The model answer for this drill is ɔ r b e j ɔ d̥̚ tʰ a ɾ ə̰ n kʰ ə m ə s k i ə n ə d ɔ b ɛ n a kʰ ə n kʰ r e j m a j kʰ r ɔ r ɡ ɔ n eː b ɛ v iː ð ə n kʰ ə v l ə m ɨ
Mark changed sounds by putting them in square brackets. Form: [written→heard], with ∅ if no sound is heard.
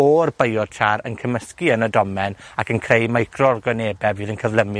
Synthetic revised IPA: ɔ r b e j ɔ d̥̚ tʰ a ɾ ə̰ n kʰ ə m ə s k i ə n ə d ɔ [b→m] ɛ n a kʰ ə n kʰ r e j m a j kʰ r ɔ r ɡ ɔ n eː b ɛ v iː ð ə n kʰ ə v l ə m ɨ

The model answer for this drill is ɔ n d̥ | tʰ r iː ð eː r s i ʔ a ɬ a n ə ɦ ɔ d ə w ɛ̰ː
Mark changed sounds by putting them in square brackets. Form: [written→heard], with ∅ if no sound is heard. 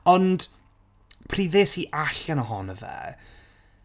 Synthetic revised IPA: ɔ n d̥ | [tʰ→pʰ] r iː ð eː [r→∅] s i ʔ a ɬ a n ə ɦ ɔ [d→n] ə [w→v] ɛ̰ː

